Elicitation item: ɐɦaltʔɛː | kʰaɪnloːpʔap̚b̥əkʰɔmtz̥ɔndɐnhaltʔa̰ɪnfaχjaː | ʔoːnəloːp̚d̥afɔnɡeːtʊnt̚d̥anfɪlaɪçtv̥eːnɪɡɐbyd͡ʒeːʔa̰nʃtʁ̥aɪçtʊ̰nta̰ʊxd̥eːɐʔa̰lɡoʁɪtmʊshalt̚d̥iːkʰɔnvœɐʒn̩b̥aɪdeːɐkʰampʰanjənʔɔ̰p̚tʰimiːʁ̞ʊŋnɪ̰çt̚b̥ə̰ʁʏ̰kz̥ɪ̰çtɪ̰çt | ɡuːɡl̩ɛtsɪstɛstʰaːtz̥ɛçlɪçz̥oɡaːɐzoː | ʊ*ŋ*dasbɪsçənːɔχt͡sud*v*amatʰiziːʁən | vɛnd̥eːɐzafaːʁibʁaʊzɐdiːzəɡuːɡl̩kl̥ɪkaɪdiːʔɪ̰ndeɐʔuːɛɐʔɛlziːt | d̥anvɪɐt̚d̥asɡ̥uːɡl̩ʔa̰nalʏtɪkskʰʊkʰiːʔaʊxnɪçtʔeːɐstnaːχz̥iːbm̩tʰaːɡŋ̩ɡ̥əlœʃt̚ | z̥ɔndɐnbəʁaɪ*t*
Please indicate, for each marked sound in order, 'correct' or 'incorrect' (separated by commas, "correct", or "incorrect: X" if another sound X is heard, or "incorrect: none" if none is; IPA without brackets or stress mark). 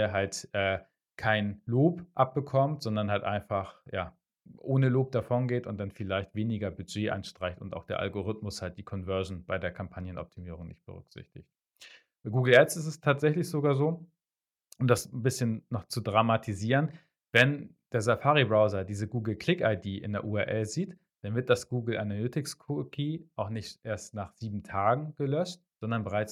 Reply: incorrect: m, incorrect: ʁ, incorrect: t͡s